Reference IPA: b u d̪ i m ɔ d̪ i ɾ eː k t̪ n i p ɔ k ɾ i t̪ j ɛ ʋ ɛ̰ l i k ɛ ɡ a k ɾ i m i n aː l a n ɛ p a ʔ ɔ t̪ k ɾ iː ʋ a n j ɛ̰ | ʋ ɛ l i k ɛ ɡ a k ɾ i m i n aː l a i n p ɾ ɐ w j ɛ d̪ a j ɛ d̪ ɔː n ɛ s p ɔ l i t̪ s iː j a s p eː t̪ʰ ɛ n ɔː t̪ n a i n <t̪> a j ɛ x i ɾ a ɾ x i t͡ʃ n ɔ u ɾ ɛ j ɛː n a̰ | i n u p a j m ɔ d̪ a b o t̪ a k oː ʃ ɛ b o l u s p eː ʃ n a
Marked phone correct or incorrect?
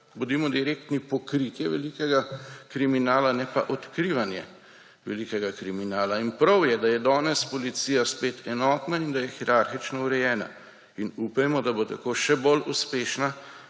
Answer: incorrect: d̪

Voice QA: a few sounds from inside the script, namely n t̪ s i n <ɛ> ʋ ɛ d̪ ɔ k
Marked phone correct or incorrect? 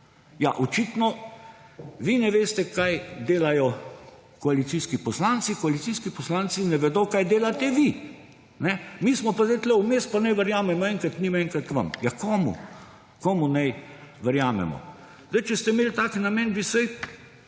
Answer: correct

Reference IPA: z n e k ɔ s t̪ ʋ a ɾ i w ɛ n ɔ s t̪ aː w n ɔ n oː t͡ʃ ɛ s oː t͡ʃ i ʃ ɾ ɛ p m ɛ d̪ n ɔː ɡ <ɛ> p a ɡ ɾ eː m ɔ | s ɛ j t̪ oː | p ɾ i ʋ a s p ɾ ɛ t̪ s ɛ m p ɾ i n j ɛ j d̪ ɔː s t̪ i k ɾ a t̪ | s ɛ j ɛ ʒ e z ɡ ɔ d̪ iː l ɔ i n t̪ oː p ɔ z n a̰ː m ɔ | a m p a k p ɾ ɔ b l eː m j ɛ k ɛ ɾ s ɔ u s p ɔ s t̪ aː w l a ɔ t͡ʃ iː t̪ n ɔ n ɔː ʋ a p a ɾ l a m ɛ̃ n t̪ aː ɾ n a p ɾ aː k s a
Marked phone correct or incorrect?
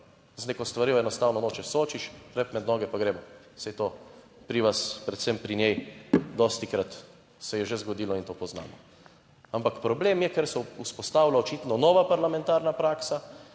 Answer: correct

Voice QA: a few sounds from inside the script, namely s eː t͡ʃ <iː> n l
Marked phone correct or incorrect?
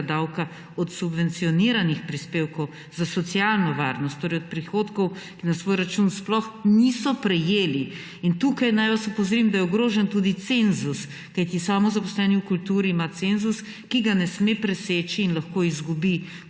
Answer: correct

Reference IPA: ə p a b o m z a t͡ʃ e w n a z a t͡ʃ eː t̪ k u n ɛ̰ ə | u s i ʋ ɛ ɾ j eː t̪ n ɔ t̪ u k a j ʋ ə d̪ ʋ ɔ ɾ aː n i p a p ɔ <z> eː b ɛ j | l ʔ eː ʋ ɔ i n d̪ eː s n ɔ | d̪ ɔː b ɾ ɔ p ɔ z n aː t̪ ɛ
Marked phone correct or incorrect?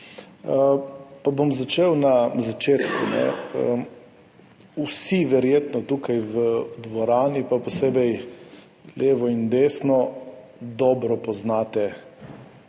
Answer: incorrect: s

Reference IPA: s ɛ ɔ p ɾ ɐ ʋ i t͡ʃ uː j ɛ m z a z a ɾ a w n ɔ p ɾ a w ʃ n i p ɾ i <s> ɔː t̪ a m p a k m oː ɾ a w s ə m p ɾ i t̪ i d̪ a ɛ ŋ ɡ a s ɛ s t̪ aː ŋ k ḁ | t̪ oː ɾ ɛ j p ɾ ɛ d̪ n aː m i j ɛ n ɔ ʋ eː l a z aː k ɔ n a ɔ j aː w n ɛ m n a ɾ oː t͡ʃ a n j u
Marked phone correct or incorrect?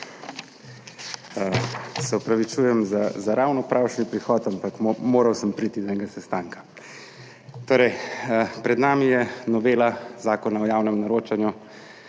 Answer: incorrect: x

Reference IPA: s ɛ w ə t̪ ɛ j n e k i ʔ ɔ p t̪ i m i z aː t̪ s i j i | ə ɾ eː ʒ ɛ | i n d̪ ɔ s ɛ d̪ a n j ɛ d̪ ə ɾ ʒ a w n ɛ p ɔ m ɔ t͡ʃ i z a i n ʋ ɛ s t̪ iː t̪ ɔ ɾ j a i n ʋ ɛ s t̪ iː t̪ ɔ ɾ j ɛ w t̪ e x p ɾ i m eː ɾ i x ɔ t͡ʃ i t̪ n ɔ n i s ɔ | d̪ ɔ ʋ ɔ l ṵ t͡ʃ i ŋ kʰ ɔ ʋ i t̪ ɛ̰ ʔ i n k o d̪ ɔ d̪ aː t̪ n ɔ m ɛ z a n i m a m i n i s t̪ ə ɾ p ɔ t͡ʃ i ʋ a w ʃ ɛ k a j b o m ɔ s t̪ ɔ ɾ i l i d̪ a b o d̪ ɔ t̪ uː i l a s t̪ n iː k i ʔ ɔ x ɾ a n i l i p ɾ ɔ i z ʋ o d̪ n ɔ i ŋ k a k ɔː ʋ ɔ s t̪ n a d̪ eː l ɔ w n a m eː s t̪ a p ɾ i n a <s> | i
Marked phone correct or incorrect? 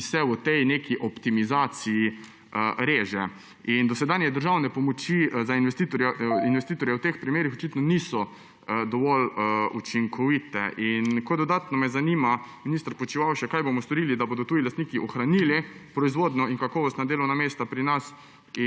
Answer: correct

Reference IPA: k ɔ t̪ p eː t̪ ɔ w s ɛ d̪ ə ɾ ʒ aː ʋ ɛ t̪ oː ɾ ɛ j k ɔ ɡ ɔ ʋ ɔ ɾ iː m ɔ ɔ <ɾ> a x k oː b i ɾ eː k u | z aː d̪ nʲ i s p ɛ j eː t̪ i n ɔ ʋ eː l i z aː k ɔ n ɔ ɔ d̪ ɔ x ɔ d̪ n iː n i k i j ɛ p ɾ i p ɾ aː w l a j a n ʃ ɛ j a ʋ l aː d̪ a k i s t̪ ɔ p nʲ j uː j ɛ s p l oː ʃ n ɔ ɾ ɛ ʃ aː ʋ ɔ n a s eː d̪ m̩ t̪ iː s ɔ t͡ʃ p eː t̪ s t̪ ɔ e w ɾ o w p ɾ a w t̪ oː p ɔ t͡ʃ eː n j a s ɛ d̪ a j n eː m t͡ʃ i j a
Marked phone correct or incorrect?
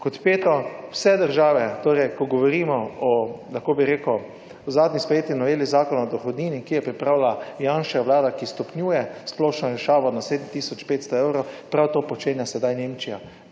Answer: incorrect: l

